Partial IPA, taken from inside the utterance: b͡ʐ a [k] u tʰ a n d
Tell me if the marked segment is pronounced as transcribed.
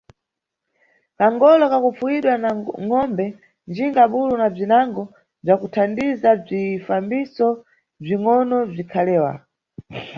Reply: yes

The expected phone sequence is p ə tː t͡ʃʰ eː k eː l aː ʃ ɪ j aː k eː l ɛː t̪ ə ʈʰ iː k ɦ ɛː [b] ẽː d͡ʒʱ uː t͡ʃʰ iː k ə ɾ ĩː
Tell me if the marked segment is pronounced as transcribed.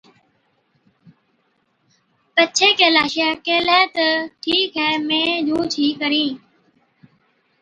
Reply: no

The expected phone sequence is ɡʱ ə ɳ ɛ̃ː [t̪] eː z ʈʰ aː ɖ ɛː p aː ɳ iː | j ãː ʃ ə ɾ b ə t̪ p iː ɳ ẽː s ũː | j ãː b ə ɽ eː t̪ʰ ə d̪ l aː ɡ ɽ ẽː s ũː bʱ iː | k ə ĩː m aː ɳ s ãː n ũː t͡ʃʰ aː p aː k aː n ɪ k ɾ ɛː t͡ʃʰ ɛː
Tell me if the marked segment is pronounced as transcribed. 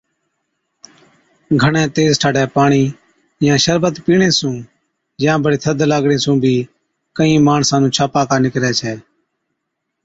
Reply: yes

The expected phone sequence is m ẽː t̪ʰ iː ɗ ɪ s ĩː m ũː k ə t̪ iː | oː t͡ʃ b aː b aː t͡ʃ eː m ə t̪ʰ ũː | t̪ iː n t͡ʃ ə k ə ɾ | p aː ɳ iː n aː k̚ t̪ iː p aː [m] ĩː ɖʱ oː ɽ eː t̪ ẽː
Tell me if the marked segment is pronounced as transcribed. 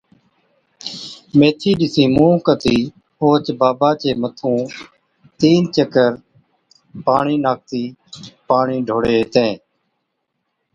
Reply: no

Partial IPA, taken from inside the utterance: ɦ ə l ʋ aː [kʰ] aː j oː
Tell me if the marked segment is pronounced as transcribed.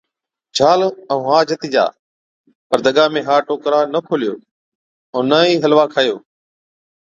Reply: yes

